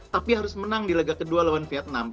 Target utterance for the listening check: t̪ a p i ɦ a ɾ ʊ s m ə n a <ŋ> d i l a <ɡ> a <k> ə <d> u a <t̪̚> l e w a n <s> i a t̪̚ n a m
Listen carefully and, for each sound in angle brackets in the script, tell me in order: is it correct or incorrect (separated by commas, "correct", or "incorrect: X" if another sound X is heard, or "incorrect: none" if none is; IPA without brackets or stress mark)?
correct, correct, correct, correct, incorrect: none, incorrect: f